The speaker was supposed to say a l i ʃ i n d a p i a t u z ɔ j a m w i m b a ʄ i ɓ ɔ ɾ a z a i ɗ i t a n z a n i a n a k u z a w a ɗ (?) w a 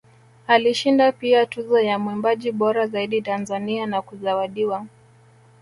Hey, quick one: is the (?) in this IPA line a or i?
i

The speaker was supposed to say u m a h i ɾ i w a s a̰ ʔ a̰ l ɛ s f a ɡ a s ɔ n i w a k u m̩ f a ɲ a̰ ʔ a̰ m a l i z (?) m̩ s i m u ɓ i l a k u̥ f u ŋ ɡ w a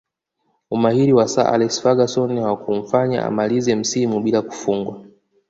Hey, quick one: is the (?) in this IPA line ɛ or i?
ɛ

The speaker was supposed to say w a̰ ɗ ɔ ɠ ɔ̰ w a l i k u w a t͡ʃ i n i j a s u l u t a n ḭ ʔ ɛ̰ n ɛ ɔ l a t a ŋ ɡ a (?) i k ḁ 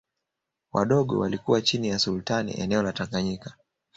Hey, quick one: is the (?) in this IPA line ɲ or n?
ɲ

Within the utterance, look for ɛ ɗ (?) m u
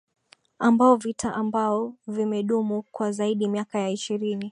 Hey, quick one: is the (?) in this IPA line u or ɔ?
u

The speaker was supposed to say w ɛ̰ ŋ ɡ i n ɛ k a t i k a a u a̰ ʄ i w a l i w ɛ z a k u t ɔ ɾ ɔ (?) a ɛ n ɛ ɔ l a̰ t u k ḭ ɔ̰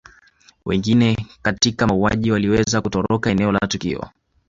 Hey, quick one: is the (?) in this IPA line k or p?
k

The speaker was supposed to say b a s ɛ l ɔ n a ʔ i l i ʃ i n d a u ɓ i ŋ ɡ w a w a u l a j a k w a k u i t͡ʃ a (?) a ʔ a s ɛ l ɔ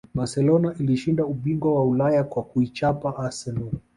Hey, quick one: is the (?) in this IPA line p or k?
p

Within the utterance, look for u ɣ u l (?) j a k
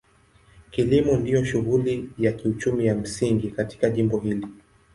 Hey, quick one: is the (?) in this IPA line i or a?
i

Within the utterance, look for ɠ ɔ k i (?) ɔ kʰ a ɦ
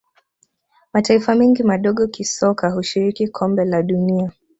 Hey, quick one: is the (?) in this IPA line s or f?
s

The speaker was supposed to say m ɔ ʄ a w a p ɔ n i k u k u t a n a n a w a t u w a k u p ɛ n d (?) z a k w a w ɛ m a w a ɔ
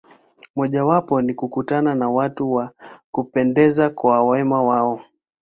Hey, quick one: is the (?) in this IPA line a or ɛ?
ɛ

